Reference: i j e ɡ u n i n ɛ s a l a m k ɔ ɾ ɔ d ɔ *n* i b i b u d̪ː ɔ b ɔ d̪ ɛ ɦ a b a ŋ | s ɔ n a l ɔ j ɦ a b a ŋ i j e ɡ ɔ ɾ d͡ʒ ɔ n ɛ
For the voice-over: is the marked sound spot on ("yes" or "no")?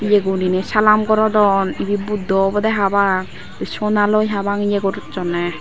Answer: yes